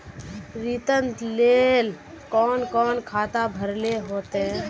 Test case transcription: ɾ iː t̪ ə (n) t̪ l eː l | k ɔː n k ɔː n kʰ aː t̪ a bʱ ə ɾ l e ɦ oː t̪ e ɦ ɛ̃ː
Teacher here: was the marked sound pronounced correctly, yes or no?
yes